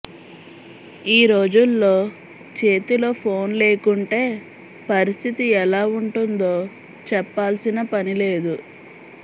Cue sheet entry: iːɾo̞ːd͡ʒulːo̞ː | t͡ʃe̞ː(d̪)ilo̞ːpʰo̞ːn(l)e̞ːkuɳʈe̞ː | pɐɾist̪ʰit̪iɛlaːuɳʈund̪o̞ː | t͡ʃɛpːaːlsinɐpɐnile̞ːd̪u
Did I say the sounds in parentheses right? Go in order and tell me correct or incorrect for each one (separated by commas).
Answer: incorrect, correct